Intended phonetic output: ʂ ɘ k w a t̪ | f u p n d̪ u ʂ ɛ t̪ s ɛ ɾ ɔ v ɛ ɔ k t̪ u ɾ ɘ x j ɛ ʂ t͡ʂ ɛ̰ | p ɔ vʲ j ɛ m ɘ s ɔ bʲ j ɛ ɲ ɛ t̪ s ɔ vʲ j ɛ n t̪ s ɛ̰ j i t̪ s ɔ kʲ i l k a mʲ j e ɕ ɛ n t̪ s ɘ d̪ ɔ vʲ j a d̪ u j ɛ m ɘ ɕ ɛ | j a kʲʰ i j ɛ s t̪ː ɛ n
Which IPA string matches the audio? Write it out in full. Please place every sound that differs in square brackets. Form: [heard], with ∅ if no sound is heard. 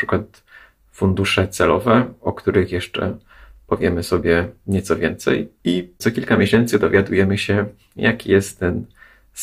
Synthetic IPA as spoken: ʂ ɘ k w a t̪ | f u [∅] n d̪ u ʂ ɛ t̪ s ɛ [l] ɔ v ɛ ɔ k t̪ u ɾ ɘ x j ɛ ʂ t͡ʂ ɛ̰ | p ɔ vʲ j ɛ m ɘ s ɔ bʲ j ɛ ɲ ɛ t̪ s ɔ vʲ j ɛ n t̪ s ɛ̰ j i t̪ s ɔ kʲ i l k a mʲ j e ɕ ɛ n t̪ s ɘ d̪ ɔ vʲ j a d̪ u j ɛ m ɘ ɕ ɛ | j a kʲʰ i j ɛ s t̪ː ɛ n